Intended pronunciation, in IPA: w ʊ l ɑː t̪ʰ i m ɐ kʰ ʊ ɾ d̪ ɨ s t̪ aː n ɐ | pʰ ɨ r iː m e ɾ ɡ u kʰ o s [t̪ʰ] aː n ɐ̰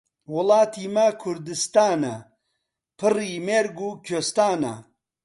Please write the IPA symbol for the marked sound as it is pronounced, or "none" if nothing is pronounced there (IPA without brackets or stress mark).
t̪